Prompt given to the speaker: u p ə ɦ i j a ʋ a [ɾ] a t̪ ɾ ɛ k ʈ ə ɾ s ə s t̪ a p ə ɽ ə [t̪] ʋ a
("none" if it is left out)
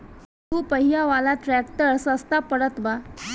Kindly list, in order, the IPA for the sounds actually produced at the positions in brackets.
l, t̪

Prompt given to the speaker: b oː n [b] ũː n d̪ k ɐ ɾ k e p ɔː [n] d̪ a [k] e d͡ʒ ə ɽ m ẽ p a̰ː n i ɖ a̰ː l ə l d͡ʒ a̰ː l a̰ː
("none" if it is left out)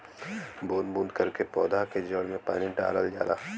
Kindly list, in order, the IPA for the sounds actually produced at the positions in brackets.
b, none, k

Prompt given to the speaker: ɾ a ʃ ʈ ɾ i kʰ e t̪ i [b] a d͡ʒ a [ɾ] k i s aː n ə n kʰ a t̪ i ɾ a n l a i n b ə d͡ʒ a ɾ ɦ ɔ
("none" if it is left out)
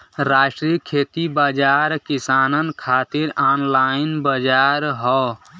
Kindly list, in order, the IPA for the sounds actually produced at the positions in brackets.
b, ɾ

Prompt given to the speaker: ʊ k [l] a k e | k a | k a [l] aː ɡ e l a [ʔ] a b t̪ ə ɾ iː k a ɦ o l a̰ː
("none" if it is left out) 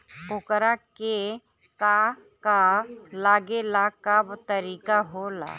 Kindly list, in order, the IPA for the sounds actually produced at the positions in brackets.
ɾ, l, k

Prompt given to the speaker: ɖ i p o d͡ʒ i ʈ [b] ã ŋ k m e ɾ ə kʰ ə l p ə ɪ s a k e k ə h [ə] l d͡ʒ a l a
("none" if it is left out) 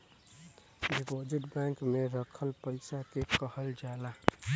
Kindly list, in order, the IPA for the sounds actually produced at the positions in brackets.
b, ə

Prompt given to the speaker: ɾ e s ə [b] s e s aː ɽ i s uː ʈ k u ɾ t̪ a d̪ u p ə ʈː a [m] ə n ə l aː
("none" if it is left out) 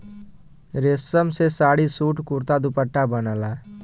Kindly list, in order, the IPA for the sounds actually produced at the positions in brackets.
m, b

